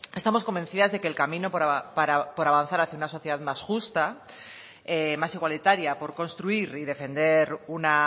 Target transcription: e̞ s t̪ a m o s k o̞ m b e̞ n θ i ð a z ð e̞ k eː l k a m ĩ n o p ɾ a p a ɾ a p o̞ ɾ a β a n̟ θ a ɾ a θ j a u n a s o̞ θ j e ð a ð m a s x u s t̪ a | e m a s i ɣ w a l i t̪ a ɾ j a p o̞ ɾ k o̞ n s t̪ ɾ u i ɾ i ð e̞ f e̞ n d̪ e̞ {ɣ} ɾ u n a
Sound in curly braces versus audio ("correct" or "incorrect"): incorrect